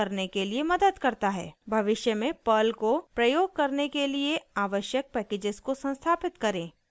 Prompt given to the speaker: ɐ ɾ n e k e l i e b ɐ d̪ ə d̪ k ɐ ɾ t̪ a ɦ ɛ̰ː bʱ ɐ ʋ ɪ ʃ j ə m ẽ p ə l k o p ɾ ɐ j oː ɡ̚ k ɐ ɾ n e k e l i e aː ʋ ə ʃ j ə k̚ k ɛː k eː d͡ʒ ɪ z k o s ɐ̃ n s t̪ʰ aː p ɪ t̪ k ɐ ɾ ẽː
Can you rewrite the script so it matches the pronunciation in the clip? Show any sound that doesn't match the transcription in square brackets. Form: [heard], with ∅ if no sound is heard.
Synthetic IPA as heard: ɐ ɾ n e k e l i e [m] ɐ d̪ ə d̪ k ɐ ɾ t̪ a ɦ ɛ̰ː bʱ ɐ ʋ ɪ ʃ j ə m ẽ p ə l k o p ɾ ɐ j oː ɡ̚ k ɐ ɾ n e k e l i e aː ʋ ə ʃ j ə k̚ [p] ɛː k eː d͡ʒ ɪ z k o s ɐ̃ n s t̪ʰ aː p ɪ t̪ k ɐ ɾ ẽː